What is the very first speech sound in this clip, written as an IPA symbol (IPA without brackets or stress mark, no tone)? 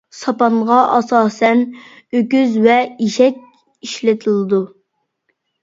s